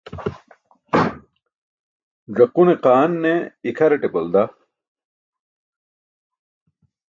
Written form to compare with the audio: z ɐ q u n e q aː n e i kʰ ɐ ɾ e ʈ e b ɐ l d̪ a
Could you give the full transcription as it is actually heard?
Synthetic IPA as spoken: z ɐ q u n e q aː nː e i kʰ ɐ ɾ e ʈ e b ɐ l d̪ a